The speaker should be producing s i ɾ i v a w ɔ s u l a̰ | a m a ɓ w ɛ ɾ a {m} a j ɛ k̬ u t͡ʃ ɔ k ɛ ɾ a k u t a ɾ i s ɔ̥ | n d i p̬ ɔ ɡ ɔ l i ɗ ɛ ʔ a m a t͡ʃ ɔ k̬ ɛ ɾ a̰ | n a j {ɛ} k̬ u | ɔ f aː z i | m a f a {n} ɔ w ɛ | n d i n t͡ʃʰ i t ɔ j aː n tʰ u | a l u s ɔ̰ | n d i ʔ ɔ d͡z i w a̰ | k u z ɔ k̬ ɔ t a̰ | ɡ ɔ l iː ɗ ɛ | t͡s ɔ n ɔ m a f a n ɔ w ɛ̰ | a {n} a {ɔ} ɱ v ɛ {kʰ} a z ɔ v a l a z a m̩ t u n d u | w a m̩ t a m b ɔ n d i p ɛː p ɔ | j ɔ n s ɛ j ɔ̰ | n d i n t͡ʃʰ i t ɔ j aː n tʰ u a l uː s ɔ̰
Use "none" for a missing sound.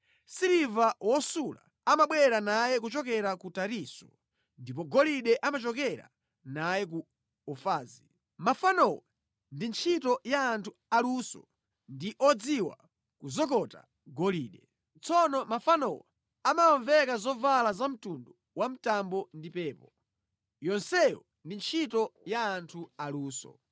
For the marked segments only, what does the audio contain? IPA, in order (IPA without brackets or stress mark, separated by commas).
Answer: n, ɛ, n, m, ɔ, k